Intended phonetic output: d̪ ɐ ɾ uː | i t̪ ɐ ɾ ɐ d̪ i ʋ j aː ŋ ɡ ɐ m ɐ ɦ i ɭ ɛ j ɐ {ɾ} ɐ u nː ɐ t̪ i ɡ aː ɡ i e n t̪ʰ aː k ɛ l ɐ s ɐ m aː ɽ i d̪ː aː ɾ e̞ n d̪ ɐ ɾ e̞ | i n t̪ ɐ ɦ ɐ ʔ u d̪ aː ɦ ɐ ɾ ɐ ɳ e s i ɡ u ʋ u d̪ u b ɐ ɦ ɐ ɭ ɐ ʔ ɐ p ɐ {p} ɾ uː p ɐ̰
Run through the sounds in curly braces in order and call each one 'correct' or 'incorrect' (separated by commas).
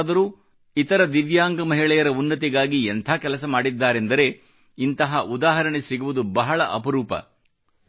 correct, incorrect